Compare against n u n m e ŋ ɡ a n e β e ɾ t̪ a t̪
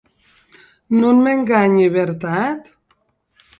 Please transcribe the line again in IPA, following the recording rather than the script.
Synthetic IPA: n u n m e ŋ ɡ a ɲ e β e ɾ t̪ a t̪

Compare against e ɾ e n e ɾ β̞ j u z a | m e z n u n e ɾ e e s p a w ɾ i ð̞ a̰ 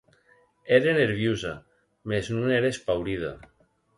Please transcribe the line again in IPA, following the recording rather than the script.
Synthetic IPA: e ɾ e n e ɾ β̞ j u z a | m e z n u n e ɾ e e s p a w ɾ i ð̞ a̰

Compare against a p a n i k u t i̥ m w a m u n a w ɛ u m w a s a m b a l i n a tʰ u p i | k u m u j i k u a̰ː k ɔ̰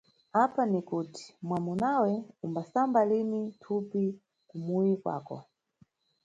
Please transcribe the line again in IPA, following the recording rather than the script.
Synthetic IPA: a p a n i k u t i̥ m w a m u n a w ɛ u m b a s a m b a l i n i tʰ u p i | k u m u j i k w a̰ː k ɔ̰

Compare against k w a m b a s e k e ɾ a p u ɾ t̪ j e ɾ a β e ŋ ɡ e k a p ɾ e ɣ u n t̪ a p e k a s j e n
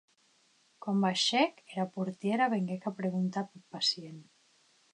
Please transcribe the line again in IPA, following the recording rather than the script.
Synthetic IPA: k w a m b a ʃ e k e ɾ a p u ɾ t̪ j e ɾ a β e ŋ ɡ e k a p ɾ e ɣ u n t̪ a p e p a s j e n

